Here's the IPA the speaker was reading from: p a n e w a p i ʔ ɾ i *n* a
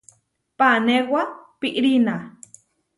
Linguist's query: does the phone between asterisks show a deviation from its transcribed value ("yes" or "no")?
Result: no